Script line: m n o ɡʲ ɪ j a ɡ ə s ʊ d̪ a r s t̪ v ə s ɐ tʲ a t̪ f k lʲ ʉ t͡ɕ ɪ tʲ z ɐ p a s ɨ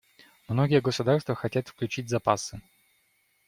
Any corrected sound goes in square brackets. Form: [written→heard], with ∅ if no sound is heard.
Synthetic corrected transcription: m n o ɡʲ ɪ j [a→ə] ɡ ə s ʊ d̪ a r s t̪ v ə [s→x] ɐ tʲ a t̪ f k lʲ ʉ t͡ɕ [ɪ→i] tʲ z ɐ p a s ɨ